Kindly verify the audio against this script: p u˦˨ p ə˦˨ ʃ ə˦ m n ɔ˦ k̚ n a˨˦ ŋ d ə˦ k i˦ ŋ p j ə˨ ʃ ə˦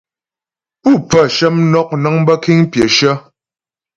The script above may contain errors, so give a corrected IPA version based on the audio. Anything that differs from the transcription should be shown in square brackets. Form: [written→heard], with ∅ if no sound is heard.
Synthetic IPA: p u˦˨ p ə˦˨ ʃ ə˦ m n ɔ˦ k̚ n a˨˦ ŋ [d→b] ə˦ k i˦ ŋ p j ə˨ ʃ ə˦